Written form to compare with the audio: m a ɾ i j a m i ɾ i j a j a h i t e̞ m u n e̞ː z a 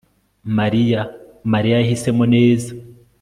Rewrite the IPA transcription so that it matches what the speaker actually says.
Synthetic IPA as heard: m a ɾ i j a m a ɾ i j a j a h i s e̞ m o n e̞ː z a